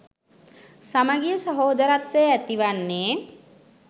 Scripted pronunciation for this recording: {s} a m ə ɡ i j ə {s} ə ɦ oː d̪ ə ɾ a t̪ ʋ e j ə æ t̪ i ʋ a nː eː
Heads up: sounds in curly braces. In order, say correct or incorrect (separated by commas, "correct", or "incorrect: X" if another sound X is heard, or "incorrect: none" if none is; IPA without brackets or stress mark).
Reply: correct, correct